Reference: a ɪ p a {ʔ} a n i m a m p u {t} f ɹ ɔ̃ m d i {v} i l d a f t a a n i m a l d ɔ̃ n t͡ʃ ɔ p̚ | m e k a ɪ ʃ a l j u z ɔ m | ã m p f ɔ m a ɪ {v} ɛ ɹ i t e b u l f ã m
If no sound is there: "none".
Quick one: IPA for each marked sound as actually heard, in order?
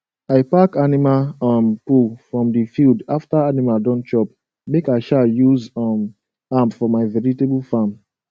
k, none, f, v

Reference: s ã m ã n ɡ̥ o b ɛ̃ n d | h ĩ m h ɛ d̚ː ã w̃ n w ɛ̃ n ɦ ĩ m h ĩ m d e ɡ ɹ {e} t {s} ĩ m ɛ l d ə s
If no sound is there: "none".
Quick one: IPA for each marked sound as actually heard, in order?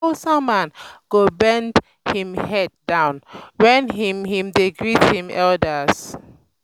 i, h

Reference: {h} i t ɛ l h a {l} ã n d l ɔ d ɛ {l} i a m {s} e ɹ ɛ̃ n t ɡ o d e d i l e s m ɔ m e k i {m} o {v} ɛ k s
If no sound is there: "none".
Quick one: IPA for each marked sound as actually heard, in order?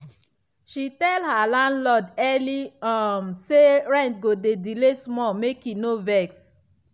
ʃ, l, l, s, n, v

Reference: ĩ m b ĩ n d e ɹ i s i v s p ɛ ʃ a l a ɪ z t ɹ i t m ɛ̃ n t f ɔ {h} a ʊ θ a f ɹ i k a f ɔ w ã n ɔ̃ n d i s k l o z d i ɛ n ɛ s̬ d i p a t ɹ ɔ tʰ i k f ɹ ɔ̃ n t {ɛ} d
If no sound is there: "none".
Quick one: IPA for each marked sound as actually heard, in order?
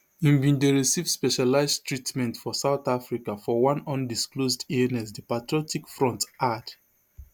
s, a

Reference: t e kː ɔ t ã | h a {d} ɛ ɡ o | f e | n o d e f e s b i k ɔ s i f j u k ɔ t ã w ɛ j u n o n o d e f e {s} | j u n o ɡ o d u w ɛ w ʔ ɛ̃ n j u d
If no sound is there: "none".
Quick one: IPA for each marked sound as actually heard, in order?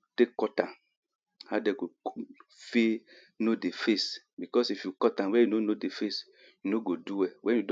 d, s

